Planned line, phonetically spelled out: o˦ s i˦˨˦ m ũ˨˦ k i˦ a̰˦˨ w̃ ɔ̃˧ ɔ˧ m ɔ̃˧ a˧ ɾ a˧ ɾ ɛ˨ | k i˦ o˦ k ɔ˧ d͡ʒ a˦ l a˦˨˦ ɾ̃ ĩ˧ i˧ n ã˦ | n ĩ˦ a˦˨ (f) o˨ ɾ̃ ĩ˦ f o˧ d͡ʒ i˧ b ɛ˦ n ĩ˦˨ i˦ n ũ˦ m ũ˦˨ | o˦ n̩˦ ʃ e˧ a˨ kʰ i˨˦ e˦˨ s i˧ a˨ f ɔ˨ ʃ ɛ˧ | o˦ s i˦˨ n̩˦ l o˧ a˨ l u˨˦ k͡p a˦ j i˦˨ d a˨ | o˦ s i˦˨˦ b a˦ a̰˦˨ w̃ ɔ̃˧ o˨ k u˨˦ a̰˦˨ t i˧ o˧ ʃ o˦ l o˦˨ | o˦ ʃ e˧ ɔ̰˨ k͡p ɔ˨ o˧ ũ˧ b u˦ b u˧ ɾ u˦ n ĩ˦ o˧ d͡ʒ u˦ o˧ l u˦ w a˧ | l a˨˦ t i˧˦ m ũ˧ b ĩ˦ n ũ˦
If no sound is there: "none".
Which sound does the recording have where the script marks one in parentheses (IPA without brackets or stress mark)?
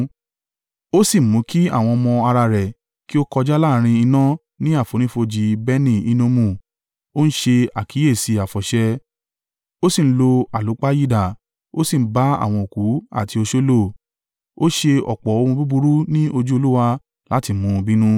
f